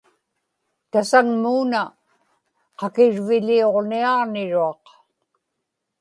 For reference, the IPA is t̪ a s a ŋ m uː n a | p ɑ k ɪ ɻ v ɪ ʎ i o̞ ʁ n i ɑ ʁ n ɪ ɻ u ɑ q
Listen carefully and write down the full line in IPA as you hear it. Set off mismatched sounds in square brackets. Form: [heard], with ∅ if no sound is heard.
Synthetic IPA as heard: t̪ a s a ŋ m uː n a | [q] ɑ k ɪ ɻ v ɪ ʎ i o̞ ʁ n i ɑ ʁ n ɪ ɻ u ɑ q